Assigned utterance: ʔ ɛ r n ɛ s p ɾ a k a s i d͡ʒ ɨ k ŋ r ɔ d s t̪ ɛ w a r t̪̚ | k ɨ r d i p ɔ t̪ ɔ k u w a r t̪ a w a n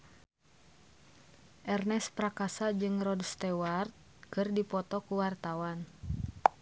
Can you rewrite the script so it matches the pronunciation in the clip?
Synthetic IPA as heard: ʔ ɛ r n ɛ s p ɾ a k a s a d͡ʒ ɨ ŋ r ɔ d s t̪ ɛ w a r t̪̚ | k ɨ r d i p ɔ t̪ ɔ k u w a r t̪ a w a n